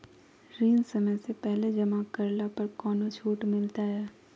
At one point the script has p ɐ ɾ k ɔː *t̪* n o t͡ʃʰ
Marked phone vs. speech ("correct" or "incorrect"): incorrect